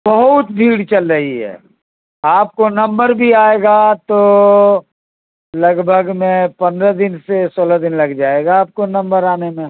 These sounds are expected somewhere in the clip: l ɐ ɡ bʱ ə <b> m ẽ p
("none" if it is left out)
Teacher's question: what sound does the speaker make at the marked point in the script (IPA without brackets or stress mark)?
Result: ɡ